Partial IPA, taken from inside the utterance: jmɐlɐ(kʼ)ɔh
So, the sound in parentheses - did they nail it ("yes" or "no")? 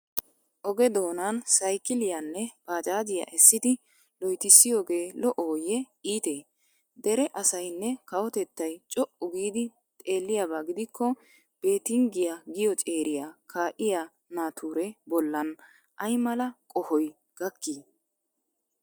yes